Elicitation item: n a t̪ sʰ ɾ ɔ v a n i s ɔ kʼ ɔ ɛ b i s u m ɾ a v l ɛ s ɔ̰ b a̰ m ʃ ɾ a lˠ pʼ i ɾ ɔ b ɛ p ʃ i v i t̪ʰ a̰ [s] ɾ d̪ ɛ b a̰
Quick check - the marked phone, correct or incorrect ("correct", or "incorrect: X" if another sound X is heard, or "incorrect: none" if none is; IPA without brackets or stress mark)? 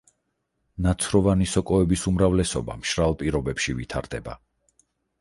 incorrect: none